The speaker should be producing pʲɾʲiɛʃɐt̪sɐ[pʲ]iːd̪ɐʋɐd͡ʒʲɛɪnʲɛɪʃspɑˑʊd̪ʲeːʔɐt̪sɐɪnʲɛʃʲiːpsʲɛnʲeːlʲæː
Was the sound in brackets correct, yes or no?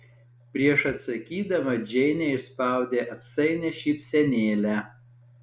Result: no